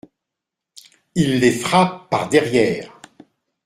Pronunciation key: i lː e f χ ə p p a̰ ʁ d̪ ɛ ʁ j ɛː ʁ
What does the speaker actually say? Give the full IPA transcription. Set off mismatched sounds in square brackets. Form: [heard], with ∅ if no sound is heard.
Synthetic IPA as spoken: i lː e f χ [a] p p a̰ ʁ d̪ ɛ ʁ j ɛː ʁ